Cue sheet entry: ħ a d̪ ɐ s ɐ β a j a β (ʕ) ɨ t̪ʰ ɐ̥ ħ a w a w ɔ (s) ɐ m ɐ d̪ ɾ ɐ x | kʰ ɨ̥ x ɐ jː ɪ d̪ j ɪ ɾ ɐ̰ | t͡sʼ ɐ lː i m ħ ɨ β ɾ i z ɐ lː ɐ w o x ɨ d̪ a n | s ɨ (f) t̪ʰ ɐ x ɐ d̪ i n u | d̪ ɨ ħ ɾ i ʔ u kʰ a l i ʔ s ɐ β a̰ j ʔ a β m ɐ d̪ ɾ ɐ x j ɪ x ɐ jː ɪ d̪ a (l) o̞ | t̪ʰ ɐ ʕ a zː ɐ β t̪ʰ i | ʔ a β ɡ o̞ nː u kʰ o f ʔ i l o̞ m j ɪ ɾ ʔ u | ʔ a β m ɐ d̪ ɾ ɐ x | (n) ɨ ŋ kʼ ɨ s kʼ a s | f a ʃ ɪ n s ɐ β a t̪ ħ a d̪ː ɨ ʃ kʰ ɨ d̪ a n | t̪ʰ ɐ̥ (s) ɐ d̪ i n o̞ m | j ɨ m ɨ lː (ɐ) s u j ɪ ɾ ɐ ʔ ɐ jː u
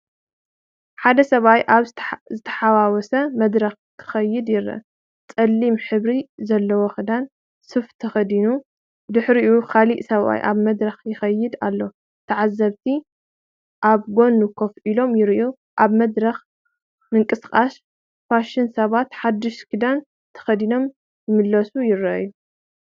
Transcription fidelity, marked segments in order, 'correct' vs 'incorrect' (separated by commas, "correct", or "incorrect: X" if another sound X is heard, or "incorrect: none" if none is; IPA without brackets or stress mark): incorrect: z, correct, correct, incorrect: lː, incorrect: m, incorrect: x, correct